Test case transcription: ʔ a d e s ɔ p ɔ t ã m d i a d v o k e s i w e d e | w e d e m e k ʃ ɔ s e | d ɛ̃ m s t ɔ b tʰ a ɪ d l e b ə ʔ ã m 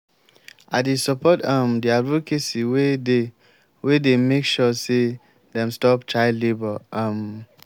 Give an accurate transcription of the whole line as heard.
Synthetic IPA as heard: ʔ a d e s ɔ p ɔ t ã m d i a d v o k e s i w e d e | w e d e m e k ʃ ɔ s e | d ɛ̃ m s t ɔ p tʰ a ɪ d l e b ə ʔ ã m